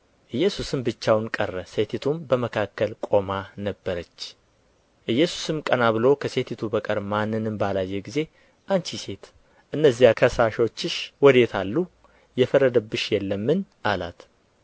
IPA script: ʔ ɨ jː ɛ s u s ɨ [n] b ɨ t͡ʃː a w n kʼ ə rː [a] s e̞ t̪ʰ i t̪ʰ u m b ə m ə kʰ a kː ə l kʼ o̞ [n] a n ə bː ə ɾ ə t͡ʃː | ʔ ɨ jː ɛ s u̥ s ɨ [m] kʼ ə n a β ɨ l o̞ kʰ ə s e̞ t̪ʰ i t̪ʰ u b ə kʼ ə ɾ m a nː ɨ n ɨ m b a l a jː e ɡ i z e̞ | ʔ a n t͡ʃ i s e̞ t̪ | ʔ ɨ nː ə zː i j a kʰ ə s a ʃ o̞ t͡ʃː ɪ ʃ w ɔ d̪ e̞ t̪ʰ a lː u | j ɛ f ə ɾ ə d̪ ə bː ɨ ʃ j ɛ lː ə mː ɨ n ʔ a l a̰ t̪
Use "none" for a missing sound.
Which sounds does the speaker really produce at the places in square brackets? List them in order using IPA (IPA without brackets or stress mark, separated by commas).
m, ə, m, m